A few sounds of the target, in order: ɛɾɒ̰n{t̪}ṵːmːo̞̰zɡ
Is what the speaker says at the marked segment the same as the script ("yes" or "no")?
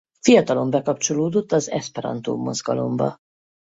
yes